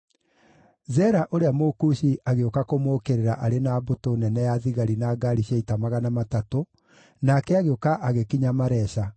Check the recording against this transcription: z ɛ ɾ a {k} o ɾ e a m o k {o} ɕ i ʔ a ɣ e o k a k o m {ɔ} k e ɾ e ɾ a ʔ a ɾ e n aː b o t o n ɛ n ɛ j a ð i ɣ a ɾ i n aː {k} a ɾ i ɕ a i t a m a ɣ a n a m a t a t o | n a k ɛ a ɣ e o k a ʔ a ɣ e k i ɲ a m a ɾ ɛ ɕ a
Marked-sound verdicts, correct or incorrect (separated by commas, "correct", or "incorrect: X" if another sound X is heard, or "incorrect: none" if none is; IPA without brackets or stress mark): incorrect: ʔ, incorrect: u, incorrect: o, incorrect: ɡ